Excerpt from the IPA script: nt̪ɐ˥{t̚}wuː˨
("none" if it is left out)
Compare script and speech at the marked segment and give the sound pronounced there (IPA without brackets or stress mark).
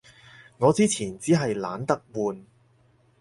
k̚